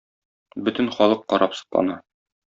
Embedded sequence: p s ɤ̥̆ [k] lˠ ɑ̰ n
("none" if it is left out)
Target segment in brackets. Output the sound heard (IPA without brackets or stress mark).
q